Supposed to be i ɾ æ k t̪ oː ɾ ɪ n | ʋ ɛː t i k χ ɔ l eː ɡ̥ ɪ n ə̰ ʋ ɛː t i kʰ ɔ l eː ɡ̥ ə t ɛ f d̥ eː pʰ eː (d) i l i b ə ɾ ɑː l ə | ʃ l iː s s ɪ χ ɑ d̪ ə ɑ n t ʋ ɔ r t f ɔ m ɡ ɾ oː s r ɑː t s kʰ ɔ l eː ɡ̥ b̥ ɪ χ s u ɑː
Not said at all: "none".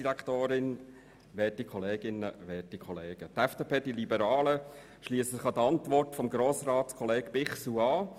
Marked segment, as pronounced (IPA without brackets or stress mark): d